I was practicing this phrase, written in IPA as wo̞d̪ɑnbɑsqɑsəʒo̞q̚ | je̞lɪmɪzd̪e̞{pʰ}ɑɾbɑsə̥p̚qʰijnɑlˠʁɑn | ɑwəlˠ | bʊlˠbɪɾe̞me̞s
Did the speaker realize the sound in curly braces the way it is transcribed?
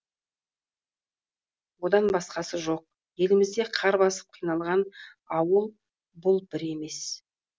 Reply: no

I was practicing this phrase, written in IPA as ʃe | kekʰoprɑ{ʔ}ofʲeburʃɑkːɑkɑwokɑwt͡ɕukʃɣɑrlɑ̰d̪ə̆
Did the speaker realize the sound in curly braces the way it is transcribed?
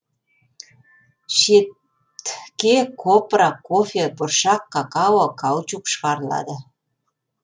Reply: no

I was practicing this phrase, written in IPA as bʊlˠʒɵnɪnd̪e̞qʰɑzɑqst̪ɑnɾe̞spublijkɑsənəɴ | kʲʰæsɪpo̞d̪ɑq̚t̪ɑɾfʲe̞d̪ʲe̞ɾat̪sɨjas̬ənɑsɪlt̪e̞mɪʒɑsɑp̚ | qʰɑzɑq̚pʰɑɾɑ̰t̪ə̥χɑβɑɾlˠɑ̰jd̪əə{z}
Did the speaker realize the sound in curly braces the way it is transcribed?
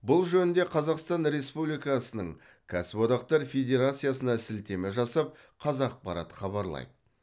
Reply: no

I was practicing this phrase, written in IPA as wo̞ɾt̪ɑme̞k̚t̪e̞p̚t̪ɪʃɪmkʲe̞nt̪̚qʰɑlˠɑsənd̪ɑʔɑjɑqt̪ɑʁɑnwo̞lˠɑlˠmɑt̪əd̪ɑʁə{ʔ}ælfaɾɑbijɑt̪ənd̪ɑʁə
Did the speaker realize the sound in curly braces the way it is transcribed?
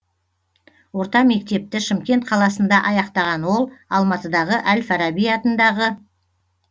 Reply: yes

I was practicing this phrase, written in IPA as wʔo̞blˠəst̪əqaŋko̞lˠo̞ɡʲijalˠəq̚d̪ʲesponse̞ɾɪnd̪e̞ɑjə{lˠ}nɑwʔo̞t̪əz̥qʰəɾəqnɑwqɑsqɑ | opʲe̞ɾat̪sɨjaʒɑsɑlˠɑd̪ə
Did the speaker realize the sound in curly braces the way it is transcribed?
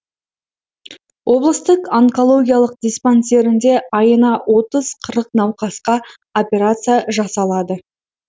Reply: no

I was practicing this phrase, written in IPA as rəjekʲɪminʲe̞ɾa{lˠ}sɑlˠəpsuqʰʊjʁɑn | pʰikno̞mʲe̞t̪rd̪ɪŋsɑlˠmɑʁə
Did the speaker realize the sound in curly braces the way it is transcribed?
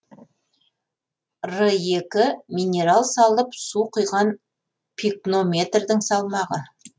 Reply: yes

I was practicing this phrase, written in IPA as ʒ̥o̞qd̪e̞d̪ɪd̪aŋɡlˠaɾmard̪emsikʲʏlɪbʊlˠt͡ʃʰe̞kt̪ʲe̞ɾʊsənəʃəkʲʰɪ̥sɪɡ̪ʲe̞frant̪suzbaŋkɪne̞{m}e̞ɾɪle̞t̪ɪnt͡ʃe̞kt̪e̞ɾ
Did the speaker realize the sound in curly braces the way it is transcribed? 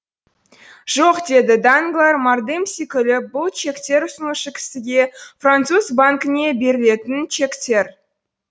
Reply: no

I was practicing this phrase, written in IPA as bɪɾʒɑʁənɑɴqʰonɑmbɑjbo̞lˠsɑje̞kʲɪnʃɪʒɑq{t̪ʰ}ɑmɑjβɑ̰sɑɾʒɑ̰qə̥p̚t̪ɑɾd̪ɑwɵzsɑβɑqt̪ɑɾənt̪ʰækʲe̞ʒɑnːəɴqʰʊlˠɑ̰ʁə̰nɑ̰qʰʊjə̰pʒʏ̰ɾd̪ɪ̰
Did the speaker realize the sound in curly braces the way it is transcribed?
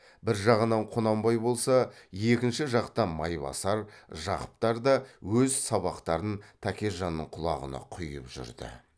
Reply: no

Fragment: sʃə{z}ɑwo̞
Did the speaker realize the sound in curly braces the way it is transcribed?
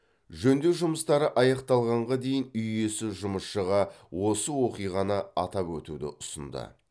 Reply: no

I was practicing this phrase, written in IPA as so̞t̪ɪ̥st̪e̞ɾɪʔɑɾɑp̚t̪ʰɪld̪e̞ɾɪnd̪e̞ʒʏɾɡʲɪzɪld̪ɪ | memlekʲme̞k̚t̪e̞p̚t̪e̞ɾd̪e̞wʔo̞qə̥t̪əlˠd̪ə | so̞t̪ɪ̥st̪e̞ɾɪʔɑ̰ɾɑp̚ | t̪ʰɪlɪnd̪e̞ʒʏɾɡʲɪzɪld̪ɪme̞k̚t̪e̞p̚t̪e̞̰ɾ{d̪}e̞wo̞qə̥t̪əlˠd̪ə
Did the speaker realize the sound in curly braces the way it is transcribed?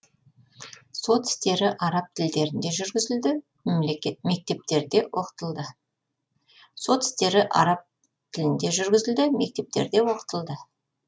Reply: yes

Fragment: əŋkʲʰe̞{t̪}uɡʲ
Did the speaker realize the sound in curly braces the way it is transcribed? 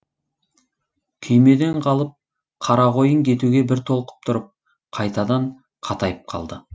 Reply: yes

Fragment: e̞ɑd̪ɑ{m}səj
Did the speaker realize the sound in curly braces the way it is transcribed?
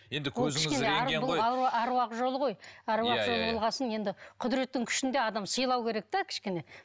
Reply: yes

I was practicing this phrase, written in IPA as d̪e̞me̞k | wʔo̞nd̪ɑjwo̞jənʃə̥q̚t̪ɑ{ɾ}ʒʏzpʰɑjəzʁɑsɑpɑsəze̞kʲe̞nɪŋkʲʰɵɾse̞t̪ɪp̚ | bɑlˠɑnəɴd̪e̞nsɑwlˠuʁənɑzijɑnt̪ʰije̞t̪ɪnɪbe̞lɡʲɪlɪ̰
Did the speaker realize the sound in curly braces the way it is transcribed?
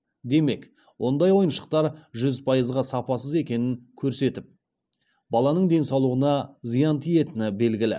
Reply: yes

